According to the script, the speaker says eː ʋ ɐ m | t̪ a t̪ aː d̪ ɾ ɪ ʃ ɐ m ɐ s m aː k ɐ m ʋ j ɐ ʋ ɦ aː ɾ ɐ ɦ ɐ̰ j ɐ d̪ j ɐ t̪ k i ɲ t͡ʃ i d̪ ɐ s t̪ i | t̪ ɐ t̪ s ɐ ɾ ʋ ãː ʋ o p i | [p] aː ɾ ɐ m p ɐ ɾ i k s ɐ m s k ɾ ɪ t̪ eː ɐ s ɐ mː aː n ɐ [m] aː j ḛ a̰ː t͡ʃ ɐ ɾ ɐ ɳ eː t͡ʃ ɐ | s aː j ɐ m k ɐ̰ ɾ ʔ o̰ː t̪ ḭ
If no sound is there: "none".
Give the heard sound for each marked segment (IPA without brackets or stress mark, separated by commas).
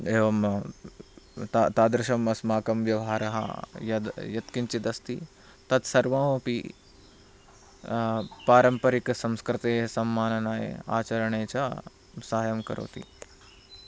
p, n